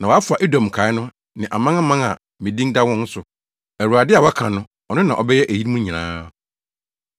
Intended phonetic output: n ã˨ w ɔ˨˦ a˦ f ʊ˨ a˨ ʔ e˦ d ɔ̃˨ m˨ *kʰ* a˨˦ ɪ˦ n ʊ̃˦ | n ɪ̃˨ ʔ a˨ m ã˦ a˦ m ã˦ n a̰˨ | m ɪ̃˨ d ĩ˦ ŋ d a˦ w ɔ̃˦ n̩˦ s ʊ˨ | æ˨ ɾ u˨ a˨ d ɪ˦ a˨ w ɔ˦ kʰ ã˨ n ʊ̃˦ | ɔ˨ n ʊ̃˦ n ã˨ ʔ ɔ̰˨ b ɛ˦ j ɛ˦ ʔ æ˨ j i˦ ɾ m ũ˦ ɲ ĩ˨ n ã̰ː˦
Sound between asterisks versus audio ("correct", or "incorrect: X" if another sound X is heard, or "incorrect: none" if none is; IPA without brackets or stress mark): correct